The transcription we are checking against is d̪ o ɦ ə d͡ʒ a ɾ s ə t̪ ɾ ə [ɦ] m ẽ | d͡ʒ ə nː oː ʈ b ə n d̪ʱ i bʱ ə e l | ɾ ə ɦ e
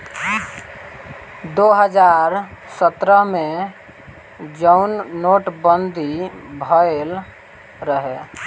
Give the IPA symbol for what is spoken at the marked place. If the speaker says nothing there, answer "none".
ɦ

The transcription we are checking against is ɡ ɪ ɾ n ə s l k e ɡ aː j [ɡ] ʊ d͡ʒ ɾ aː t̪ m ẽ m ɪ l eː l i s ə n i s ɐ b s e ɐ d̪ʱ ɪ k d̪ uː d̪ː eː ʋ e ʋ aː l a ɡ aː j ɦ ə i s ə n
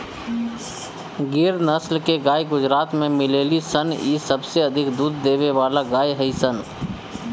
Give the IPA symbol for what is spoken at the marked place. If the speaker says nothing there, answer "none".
ɡ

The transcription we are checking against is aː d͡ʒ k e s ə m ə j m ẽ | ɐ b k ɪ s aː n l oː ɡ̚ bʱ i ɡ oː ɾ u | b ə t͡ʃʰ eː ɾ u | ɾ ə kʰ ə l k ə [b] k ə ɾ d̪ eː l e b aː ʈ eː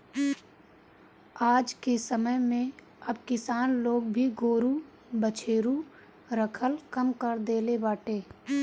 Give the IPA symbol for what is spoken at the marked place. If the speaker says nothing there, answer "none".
m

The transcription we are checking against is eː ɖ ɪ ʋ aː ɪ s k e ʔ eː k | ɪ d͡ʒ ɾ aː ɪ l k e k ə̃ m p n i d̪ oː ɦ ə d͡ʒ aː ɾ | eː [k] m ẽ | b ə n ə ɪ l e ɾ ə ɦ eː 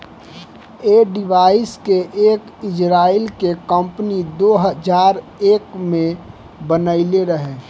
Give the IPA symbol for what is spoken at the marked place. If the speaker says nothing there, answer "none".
k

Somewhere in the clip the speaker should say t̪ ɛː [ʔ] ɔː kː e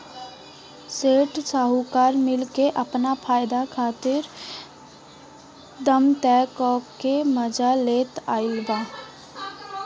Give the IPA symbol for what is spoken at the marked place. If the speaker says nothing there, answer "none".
k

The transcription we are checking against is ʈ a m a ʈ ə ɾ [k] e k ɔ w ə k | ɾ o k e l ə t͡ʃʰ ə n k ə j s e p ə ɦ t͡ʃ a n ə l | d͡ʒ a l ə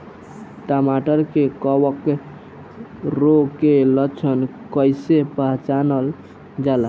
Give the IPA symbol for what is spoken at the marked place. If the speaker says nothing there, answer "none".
k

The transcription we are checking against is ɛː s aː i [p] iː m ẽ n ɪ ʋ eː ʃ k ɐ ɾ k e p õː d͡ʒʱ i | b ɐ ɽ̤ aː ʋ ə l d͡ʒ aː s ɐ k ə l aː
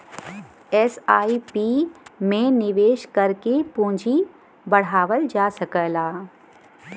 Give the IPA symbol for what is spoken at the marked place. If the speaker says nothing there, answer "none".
p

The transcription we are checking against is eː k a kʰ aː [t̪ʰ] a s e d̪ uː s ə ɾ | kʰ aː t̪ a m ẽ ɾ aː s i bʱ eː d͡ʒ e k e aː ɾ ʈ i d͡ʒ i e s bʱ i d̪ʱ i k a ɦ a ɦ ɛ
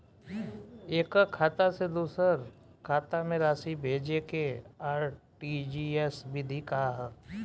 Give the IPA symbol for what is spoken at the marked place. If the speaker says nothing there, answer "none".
t̪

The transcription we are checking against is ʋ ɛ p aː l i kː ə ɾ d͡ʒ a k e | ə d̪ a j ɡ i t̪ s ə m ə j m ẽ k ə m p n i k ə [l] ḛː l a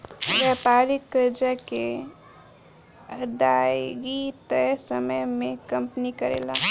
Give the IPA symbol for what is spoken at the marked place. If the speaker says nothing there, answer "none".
ɾ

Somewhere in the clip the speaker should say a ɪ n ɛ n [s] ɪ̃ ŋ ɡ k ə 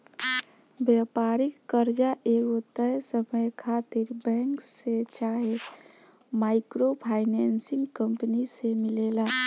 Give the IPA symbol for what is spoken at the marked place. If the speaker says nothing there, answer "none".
s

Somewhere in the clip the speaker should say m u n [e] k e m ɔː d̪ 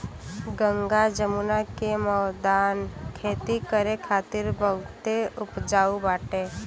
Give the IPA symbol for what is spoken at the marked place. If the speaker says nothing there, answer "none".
a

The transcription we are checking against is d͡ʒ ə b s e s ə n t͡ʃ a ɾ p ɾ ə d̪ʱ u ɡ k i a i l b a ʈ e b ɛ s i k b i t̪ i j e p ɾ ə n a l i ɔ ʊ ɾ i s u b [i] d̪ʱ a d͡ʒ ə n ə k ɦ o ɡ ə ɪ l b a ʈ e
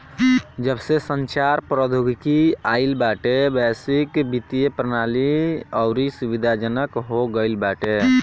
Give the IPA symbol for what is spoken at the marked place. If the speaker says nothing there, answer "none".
i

